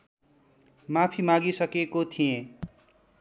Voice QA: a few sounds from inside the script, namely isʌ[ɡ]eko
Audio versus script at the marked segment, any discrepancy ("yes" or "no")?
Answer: yes